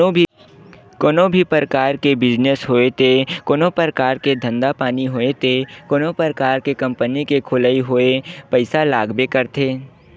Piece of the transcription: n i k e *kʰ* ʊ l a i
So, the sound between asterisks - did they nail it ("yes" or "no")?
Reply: yes